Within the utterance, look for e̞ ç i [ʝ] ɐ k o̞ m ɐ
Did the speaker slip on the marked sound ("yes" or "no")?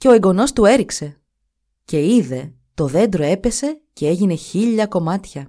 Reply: yes